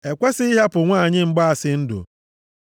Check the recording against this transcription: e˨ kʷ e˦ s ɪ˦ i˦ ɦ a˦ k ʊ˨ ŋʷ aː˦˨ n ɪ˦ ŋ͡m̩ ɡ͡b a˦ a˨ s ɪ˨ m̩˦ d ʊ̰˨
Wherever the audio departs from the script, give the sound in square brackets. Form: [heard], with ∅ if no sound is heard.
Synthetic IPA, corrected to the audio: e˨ kʷ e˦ s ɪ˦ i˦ ɦ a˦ [p] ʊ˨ ŋʷ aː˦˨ [ɲ] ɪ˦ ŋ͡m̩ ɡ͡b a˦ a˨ s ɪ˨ [n̩˦] d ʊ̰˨